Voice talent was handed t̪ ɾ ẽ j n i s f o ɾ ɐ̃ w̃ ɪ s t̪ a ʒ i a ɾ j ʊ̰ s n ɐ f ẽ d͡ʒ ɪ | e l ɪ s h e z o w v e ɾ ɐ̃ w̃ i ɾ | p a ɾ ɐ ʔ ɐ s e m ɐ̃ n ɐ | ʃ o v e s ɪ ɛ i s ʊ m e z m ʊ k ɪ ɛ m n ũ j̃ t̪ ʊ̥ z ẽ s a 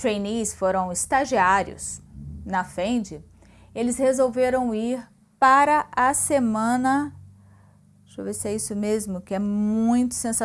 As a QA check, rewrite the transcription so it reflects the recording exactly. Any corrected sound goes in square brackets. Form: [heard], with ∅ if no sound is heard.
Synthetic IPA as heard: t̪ ɾ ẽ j n i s f o ɾ ɐ̃ w̃ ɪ s t̪ a ʒ i a ɾ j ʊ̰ s n ɐ f ẽ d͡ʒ ɪ | e l ɪ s h e z o w v e ɾ ɐ̃ w̃ i ɾ | p a ɾ ɐ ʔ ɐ s e m ɐ̃ n ɐ | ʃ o v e s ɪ ɛ i s ʊ m e z m ʊ k ɪ ɛ m [m] ũ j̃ t̪ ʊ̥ [s] ẽ s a

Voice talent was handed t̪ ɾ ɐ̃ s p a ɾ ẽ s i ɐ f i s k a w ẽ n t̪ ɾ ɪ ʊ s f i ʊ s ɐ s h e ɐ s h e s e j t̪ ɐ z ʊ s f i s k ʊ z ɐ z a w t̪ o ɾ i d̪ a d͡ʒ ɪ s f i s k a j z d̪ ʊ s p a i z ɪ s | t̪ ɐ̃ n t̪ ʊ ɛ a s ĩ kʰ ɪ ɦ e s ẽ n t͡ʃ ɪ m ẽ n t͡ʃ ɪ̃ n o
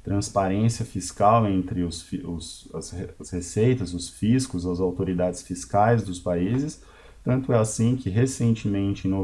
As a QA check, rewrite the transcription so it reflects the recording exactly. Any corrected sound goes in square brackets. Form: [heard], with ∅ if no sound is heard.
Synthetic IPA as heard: t̪ ɾ ɐ̃ s p a ɾ ẽ s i ɐ f i s k a w ẽ n t̪ ɾ ɪ ʊ s f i ʊ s ɐ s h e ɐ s h e s e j t̪ ɐ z ʊ s f i s k ʊ z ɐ z a w t̪ o ɾ i d̪ a d͡ʒ ɪ s f i s k a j z d̪ ʊ s p a i z ɪ s | t̪ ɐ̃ n t̪ ʊ ɛ a s ĩ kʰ ɪ ɦ e s ẽ n t͡ʃ ɪ m ẽ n t͡ʃ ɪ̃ n o

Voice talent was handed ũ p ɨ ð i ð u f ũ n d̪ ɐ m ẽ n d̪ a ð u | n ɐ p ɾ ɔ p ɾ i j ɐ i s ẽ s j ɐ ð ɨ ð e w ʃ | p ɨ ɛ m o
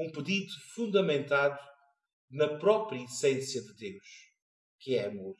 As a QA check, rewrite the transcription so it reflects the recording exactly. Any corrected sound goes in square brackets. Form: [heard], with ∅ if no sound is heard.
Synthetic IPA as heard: ũ p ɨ ð i ð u f ũ n d̪ ɐ m ẽ n [t̪] a ð u | n ɐ p ɾ ɔ p ɾ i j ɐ i s ẽ s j ɐ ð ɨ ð e w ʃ | [k] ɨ ɛ m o

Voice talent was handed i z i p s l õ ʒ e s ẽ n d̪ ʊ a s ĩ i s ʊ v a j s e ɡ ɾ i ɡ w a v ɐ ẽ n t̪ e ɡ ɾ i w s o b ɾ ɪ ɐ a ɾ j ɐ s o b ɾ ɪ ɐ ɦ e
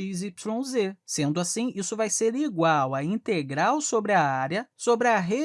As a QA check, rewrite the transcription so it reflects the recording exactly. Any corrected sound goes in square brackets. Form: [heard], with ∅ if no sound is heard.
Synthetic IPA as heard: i z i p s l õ [z] e s ẽ n d̪ ʊ a s ĩ i s ʊ v a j s e [∅] ɾ i ɡ w a [w] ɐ [ĩ] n t̪ e ɡ ɾ [a] w s o b ɾ ɪ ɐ a ɾ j ɐ s o b ɾ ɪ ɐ ɦ e

